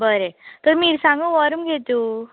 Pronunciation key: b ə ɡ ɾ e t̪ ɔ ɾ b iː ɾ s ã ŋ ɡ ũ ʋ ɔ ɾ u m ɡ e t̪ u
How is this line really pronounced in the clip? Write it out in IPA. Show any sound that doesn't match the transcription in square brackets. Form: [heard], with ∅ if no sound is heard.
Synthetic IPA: b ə [∅] ɾ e t̪ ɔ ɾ [m] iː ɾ s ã ŋ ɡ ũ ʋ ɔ ɾ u m ɡ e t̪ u

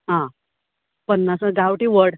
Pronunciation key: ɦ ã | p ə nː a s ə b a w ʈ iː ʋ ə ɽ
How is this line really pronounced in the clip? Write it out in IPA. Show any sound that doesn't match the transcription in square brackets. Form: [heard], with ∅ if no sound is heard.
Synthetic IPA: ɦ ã | p ə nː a s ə [ɡ] a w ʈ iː ʋ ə ɽ

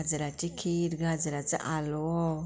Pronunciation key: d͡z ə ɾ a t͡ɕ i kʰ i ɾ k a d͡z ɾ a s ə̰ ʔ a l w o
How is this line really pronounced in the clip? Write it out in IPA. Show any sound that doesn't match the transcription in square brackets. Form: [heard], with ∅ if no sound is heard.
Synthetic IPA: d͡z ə ɾ a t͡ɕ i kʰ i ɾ [ɡ] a d͡z ɾ a [t͡s] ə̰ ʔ a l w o

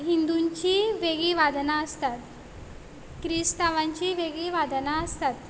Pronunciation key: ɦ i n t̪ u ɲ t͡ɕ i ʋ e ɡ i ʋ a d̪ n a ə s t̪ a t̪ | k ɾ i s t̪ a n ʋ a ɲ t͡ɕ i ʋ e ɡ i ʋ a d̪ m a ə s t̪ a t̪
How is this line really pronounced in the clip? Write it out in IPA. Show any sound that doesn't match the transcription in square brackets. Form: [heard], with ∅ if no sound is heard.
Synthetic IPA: ɦ i n [d̪] u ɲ t͡ɕ i ʋ e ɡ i ʋ a d̪ n a ə s t̪ a t̪ | k ɾ i s t̪ a [∅] ʋ a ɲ t͡ɕ i ʋ e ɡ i ʋ a d̪ [n] a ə s t̪ a t̪

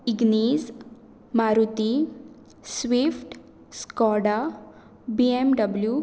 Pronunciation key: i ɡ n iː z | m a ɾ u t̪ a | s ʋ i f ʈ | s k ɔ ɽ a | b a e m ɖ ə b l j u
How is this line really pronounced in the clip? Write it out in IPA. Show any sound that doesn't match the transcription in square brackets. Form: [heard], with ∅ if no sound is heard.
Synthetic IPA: i ɡ n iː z | m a ɾ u t̪ [i] | s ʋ i f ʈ | s k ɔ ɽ a | b [i] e m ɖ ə b l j u

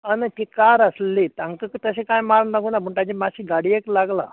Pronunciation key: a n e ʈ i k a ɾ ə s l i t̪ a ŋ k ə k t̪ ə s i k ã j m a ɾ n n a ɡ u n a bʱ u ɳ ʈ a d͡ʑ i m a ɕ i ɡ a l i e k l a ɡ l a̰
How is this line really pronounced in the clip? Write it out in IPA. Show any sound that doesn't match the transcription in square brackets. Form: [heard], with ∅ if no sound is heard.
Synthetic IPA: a n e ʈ i k a ɾ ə s l i t̪ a ŋ k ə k t̪ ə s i k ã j m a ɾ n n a ɡ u n a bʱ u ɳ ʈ a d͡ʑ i m a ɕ i ɡ a [ɽ] i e k l a ɡ l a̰

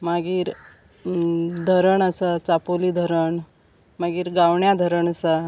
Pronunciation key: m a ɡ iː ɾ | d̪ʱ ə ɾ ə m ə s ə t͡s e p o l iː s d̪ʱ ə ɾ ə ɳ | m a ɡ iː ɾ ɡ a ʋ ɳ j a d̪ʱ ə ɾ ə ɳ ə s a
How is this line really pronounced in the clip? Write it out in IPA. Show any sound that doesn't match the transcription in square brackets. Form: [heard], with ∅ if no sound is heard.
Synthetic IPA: m a ɡ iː ɾ | d̪ʱ ə ɾ ə [ɳ] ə s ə t͡s [a] p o l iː [∅] d̪ʱ ə ɾ ə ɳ | m a ɡ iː ɾ ɡ a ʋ ɳ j a d̪ʱ ə ɾ ə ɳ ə s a

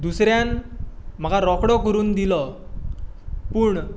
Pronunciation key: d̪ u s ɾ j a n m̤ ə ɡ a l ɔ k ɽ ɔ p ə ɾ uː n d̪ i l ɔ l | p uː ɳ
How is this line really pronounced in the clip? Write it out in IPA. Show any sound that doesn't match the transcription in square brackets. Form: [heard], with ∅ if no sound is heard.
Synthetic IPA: d̪ u s ɾ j a n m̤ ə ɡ a [ɾ] ɔ k ɽ ɔ [k] ə ɾ uː n d̪ i l ɔ [∅] | p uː ɳ

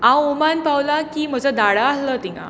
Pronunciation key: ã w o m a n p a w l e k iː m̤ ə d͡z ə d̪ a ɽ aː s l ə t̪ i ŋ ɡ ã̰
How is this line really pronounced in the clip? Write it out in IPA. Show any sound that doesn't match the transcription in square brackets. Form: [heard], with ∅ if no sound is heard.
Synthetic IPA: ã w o m a n p a w l [a] k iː m̤ ə d͡z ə d̪ a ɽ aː s l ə t̪ i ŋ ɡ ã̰

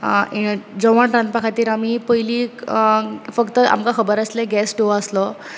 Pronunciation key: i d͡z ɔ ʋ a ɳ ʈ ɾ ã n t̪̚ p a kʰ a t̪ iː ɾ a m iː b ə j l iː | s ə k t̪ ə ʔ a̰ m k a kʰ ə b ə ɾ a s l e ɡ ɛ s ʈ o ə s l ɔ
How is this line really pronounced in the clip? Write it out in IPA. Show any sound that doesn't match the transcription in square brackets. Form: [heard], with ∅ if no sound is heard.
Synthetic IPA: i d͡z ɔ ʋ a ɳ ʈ ɾ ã n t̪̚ p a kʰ a t̪ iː ɾ a m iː [p] ə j l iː | [f] ə k t̪ ə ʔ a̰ m k a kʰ ə b ə ɾ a s l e ɡ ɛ s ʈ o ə s l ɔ

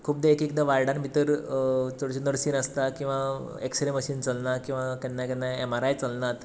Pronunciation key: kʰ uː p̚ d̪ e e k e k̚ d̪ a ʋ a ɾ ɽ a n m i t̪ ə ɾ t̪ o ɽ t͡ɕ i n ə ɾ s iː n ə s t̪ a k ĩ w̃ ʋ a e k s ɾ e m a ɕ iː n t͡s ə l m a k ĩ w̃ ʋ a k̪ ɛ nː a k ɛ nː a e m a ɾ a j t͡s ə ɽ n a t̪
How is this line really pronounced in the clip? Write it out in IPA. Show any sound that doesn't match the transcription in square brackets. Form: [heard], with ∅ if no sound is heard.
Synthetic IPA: kʰ uː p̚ d̪ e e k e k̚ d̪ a ʋ a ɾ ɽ a n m i t̪ ə ɾ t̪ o ɽ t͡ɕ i n ə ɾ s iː n ə s t̪ a k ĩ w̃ ʋ a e k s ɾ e m [ə] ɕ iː n t͡s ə l [n] a k ĩ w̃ ʋ a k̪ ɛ nː a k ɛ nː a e m a ɾ a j t͡s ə [l] n a t̪

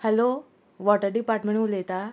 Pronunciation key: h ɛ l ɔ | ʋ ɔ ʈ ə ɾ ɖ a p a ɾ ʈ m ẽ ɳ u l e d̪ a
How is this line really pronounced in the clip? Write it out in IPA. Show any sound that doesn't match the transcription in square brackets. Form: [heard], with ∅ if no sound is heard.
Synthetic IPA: h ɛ l [o] | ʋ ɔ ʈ ə ɾ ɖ [i] p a ɾ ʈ m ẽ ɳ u l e [t̪] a

